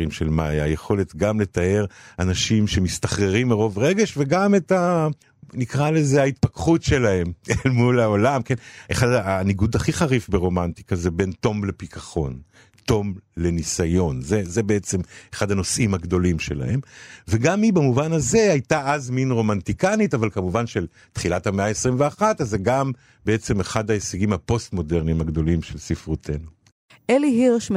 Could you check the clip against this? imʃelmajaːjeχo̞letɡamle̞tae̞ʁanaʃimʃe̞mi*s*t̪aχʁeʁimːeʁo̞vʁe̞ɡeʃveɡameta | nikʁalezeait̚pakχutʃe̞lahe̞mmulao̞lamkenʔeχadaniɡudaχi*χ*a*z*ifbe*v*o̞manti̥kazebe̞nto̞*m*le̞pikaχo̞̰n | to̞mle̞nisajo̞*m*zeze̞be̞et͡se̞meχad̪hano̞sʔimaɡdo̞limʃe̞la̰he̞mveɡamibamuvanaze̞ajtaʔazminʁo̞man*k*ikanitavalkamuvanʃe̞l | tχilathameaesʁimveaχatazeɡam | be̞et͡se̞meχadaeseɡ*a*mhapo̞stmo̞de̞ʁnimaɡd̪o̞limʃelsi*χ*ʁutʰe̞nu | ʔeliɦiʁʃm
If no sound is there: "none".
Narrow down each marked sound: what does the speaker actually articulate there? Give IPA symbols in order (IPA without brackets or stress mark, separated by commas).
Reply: s, χ, ʁ, ʁ, m, n, t, i, f